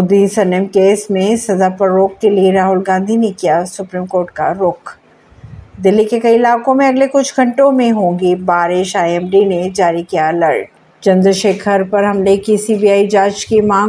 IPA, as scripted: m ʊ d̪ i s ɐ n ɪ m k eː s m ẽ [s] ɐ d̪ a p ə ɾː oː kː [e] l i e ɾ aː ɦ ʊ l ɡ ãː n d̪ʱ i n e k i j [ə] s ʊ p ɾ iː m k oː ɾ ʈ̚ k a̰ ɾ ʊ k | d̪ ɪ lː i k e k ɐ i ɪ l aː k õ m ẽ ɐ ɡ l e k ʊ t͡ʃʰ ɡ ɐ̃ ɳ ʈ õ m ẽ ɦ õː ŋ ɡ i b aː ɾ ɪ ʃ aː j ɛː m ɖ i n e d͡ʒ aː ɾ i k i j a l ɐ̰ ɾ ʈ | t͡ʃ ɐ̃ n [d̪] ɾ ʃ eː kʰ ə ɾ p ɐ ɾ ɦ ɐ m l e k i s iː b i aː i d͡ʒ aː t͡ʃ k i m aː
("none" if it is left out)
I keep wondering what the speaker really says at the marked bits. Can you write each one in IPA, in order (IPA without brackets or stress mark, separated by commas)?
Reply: s, e, a, d̪